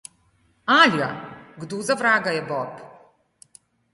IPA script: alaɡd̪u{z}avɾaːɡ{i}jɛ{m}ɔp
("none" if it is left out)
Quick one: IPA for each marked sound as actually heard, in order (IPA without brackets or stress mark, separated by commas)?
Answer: z, a, b